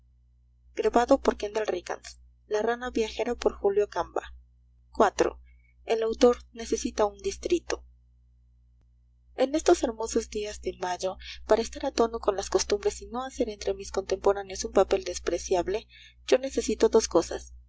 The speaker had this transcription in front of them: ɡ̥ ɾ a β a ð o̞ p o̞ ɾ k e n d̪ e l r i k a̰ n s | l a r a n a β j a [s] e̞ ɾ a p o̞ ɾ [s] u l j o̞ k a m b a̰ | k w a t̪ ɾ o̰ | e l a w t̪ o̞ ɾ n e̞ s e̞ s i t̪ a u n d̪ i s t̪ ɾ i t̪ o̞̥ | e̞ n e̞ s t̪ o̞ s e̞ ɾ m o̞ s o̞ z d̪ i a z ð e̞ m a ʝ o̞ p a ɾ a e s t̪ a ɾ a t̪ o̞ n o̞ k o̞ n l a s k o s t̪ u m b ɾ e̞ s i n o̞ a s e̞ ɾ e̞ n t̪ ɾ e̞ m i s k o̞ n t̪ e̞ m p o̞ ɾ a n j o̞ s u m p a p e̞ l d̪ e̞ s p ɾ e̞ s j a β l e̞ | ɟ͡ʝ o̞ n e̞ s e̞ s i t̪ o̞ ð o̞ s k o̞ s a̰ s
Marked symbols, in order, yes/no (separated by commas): no, no